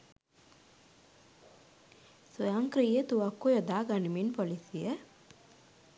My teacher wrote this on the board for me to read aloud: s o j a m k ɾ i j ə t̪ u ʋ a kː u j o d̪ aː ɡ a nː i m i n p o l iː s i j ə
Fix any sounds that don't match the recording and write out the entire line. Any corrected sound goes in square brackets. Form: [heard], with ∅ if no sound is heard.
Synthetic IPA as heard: s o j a [ŋ] k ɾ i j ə t̪ u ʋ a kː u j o d̪ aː ɡ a [n] i m i n p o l [i] s i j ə